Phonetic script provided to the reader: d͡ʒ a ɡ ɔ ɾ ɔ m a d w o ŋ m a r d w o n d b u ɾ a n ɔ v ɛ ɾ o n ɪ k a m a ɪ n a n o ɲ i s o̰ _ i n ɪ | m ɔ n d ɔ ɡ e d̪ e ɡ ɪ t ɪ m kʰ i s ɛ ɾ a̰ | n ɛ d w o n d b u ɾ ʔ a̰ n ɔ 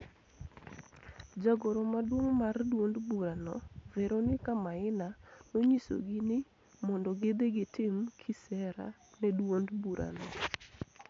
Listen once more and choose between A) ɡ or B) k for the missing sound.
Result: A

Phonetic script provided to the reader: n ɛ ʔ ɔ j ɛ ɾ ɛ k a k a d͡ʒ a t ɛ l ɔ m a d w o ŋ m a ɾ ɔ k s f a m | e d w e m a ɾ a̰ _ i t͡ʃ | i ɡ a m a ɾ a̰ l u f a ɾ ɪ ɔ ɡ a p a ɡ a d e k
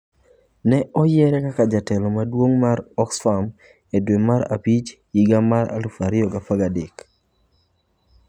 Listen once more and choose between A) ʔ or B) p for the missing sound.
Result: B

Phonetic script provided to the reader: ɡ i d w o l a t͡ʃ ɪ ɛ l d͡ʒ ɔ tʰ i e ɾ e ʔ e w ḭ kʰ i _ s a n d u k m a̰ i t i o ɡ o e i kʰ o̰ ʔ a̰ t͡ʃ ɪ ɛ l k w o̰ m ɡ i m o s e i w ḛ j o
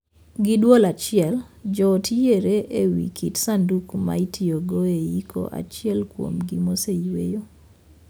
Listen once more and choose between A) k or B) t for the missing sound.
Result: B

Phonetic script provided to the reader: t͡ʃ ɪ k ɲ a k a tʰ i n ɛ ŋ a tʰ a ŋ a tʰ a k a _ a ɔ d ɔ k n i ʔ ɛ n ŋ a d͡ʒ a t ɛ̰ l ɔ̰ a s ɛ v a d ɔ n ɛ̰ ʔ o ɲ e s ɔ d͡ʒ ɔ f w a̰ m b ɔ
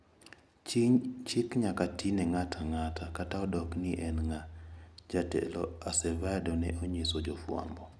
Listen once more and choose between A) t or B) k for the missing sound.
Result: A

